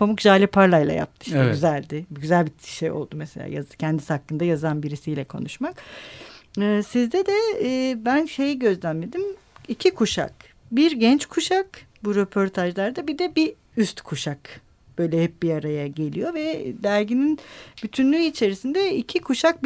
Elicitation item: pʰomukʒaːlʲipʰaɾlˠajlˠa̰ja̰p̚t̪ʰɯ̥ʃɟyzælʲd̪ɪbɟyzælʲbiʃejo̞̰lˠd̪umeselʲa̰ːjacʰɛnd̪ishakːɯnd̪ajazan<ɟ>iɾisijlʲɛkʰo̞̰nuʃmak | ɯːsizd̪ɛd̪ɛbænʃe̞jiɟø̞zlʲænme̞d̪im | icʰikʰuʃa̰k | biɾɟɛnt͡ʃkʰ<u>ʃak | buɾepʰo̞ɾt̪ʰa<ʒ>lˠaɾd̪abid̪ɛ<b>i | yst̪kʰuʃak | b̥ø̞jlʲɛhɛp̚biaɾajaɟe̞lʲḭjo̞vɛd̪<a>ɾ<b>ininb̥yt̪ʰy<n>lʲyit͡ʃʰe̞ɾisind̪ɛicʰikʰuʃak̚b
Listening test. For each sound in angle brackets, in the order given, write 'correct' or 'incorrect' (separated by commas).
incorrect, correct, correct, correct, incorrect, incorrect, correct